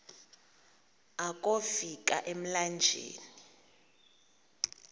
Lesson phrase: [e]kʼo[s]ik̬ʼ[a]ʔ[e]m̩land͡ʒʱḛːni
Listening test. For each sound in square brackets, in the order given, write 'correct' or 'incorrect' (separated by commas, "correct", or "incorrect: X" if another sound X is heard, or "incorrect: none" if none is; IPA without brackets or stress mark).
incorrect: a, incorrect: f, correct, correct